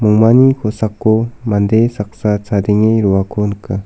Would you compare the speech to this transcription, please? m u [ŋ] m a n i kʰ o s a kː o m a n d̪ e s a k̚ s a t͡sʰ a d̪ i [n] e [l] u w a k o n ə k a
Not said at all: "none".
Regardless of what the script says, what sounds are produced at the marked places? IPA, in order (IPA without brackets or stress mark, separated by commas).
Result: ŋ, ŋ, ɾ